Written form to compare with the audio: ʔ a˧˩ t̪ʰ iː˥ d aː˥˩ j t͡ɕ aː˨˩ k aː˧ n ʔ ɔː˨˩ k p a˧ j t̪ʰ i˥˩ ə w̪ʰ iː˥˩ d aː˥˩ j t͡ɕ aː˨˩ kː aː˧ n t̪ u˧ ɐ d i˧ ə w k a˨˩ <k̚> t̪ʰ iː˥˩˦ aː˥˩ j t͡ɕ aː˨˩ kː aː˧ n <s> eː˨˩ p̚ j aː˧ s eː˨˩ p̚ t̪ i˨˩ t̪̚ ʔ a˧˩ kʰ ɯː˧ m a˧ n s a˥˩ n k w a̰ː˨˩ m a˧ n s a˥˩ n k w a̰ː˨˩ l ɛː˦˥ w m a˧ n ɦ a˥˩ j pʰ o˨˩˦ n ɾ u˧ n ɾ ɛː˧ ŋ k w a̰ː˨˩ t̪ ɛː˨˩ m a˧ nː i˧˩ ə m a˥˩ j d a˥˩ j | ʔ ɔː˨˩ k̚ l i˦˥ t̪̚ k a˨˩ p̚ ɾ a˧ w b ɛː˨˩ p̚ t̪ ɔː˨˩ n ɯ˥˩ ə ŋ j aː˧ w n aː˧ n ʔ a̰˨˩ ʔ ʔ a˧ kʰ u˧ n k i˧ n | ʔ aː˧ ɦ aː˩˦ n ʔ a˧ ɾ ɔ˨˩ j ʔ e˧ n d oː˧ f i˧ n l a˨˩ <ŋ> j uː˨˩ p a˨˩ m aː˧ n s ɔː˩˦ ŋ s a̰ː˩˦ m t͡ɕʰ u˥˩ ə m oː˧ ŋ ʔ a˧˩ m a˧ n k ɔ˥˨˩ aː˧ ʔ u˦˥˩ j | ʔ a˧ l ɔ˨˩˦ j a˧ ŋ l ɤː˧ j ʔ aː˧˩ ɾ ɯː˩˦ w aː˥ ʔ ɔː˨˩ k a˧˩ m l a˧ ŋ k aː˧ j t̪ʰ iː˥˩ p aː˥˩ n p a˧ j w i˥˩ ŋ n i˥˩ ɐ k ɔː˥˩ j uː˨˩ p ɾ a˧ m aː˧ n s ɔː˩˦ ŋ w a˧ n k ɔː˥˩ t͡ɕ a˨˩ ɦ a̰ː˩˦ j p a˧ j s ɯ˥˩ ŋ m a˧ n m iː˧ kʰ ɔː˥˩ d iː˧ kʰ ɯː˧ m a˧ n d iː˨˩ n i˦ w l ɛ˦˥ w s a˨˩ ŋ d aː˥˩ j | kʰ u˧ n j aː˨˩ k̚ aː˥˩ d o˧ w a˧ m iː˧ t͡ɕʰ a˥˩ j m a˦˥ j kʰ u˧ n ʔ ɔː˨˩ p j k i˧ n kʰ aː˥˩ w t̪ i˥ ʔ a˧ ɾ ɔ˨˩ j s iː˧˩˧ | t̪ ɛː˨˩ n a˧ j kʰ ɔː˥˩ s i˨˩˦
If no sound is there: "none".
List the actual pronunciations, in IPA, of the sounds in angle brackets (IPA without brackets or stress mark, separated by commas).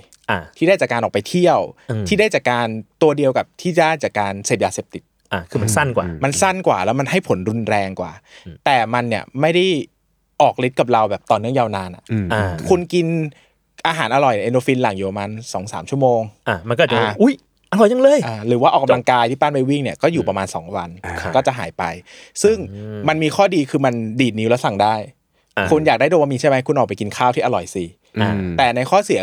p̚, s, ŋ